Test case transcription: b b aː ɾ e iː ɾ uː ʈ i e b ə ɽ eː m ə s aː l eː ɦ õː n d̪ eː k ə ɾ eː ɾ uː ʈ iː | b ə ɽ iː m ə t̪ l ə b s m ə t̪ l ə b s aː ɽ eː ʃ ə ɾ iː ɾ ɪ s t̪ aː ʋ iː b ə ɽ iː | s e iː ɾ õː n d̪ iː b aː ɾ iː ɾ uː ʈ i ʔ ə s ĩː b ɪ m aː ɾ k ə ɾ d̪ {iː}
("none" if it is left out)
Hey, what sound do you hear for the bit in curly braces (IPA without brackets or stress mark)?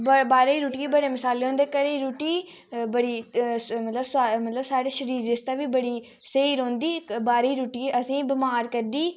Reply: iː